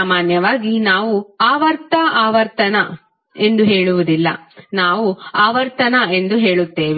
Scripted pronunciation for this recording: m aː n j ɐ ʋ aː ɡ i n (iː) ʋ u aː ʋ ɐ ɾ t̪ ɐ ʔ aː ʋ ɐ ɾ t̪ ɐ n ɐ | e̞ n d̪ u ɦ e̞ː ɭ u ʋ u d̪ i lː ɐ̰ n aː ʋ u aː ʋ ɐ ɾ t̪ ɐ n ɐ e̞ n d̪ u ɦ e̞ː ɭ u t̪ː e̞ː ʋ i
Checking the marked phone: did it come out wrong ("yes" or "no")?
yes